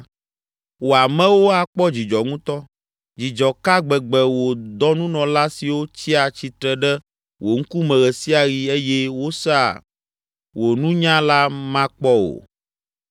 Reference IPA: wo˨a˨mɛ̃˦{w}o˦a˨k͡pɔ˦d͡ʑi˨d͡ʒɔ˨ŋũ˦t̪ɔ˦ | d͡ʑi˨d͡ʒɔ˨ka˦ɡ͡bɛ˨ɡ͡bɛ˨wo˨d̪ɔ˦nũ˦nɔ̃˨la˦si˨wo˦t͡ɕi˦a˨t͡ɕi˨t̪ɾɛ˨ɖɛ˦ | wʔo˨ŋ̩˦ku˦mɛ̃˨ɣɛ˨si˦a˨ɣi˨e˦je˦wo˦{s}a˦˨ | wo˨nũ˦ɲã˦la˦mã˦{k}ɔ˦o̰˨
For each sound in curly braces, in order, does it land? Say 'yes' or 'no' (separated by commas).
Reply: yes, yes, no